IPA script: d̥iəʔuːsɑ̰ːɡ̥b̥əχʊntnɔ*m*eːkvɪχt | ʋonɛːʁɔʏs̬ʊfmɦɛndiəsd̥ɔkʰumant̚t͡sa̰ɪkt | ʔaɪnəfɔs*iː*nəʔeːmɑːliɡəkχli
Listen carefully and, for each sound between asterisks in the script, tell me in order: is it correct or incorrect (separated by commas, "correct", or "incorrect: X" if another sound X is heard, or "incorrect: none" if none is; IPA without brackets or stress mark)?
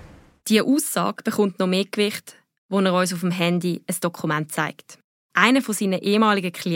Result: correct, correct